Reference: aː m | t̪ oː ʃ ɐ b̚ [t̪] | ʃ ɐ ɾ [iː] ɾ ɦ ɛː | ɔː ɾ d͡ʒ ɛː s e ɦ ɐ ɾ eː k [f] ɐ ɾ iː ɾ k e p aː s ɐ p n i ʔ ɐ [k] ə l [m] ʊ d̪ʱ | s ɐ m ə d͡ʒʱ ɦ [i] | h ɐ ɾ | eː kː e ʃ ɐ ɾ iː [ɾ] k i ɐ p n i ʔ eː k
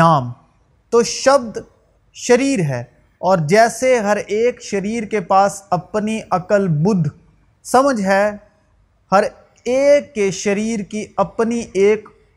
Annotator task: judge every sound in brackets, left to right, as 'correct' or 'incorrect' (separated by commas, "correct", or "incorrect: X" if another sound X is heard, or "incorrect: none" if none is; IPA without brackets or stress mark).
incorrect: d̪, correct, incorrect: ʃ, correct, incorrect: b, incorrect: ɛ, correct